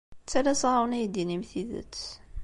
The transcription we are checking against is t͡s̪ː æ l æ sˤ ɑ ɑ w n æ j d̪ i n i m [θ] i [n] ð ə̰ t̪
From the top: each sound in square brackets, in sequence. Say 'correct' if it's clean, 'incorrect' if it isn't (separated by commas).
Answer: correct, incorrect